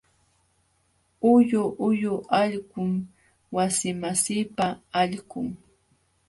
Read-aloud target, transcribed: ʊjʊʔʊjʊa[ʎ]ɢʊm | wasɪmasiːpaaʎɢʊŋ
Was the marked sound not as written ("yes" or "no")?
no